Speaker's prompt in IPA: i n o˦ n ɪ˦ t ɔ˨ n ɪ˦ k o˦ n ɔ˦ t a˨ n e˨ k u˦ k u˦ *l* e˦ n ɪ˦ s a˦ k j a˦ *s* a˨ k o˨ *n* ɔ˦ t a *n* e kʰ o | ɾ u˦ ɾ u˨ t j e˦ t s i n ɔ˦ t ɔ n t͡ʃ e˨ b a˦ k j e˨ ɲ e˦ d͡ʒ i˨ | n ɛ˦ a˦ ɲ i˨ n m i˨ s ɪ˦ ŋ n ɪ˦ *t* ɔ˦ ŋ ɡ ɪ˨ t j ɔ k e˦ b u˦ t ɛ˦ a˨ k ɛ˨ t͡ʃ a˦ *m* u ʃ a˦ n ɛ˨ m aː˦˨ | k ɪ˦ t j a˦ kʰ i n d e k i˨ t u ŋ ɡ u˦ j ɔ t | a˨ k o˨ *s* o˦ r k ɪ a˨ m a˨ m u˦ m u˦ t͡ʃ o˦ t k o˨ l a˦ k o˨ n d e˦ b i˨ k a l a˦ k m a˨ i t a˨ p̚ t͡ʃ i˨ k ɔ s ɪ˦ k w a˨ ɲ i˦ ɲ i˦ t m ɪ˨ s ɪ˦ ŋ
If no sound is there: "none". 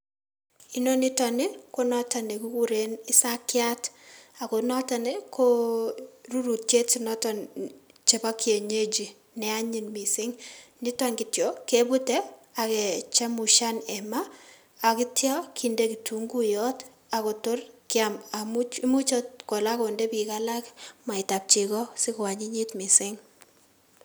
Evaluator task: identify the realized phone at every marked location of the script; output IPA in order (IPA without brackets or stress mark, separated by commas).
ɾ, t, n, n, t, m, t